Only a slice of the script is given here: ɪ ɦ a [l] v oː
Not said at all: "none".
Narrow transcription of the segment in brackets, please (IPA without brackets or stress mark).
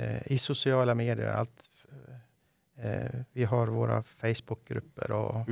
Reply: ɾ